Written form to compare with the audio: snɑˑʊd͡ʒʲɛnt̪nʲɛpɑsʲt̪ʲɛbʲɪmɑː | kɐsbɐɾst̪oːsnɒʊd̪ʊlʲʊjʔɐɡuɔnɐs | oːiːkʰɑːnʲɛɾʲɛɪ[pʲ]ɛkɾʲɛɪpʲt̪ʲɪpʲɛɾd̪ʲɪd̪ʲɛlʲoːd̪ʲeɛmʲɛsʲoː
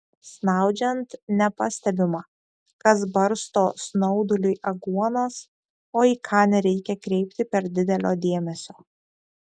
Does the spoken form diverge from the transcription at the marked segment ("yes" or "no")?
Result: yes